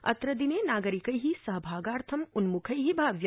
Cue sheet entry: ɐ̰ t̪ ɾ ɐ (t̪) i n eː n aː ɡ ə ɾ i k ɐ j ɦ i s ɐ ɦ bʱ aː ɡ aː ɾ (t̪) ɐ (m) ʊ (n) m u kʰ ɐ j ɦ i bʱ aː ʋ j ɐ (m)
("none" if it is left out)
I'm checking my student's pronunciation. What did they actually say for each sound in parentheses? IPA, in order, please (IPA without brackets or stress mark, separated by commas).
d̪, t̪ʰ, m, n, none